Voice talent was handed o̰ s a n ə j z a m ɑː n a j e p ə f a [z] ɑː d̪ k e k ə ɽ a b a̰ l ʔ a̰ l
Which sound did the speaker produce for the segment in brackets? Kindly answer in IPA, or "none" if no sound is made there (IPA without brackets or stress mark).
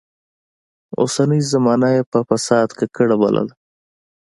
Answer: s